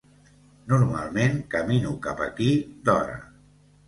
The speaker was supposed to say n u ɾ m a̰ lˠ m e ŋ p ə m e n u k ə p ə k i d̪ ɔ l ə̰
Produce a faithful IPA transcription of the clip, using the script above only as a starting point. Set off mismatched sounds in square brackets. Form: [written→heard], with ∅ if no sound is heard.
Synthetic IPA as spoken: n u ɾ m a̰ lˠ m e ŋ [p→k] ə m [e→i] n u k [ə→a] p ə k i d̪ ɔ [l→ɾ] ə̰